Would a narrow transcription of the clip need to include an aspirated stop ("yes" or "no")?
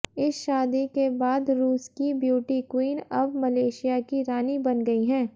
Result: no